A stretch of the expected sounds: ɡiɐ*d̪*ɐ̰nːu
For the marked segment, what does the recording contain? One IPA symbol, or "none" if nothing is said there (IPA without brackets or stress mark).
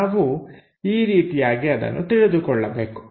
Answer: d̪